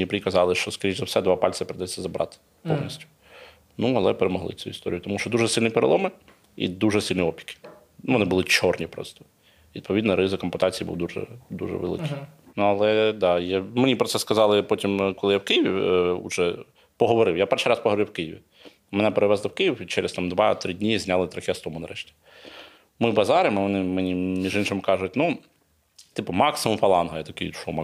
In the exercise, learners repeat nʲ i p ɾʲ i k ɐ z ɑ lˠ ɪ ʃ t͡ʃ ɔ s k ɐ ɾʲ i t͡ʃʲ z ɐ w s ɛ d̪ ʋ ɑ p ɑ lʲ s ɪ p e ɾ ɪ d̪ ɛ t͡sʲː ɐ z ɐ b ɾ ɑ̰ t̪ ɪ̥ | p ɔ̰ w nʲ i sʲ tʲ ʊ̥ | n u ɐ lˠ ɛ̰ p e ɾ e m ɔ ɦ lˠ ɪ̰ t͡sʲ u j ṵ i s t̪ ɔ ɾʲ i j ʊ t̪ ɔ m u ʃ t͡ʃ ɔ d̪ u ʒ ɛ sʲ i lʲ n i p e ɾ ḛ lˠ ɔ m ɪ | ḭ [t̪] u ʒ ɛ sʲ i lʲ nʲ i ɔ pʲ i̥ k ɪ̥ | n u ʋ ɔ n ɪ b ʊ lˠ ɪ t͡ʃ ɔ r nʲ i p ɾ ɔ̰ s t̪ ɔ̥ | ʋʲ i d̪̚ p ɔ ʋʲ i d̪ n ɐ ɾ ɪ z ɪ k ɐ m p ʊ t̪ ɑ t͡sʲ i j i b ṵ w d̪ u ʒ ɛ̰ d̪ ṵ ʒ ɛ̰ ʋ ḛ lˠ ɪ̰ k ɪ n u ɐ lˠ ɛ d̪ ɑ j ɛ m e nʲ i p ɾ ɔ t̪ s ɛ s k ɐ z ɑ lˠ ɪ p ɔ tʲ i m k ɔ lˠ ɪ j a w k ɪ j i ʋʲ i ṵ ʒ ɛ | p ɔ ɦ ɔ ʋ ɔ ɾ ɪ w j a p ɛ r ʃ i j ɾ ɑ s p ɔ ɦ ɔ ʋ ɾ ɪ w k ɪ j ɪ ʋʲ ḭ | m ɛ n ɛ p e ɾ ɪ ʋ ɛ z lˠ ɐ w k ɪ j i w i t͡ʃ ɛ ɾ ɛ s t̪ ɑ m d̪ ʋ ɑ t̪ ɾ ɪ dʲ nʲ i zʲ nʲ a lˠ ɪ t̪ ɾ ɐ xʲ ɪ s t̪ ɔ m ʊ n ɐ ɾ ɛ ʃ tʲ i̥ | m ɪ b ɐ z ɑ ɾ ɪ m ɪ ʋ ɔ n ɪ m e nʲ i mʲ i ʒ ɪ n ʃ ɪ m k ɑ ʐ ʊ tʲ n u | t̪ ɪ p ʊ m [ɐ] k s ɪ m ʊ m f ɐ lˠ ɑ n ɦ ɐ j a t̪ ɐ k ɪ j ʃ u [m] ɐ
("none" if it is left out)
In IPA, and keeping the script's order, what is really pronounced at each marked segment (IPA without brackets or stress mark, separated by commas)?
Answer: d̪, ɑ, m